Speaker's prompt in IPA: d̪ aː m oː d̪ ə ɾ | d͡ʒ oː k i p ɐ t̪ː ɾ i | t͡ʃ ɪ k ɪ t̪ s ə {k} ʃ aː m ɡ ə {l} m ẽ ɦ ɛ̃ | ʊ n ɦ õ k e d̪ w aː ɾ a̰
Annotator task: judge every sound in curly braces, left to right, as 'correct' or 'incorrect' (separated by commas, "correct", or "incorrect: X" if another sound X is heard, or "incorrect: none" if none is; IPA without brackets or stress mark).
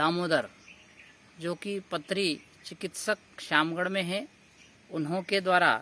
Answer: correct, incorrect: ɽ